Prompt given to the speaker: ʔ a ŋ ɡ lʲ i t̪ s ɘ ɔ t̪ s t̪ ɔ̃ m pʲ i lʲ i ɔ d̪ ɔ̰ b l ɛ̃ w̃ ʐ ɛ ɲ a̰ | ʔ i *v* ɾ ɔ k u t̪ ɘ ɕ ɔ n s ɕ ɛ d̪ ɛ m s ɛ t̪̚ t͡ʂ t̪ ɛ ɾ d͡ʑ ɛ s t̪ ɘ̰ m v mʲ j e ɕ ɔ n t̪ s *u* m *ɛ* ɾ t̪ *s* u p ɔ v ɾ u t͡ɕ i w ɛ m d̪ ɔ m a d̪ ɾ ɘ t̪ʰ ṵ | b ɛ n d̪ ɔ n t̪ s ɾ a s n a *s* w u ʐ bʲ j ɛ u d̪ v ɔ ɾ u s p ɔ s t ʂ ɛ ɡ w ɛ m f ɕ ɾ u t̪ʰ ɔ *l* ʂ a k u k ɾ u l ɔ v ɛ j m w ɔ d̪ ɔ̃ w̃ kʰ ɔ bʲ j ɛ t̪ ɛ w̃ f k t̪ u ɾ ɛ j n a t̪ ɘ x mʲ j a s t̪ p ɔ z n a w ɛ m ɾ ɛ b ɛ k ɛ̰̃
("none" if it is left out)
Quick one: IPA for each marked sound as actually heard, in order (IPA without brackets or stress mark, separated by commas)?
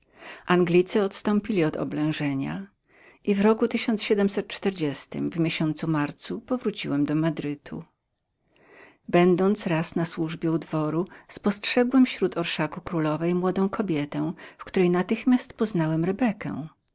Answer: v, u, a, s, s, ɾ